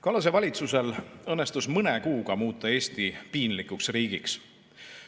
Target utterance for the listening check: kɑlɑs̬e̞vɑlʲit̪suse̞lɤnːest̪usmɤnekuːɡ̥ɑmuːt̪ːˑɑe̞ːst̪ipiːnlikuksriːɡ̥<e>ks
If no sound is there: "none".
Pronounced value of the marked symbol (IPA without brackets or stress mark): i